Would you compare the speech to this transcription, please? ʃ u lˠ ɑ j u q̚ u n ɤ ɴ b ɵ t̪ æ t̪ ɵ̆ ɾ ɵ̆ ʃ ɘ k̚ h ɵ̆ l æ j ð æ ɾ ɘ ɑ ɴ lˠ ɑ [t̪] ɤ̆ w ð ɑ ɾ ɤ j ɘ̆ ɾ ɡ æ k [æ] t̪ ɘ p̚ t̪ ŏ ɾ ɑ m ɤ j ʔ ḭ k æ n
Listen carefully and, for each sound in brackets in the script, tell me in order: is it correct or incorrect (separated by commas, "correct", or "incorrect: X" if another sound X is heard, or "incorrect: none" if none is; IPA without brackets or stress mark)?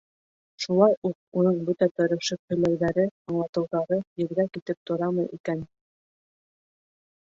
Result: correct, incorrect: i